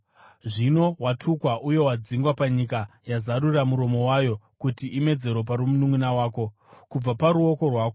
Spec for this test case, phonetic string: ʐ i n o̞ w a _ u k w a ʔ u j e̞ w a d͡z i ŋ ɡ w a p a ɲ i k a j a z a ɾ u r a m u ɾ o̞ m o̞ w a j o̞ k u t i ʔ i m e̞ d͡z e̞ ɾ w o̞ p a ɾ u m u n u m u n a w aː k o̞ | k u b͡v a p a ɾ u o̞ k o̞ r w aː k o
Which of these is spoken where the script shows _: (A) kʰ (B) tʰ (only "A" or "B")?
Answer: B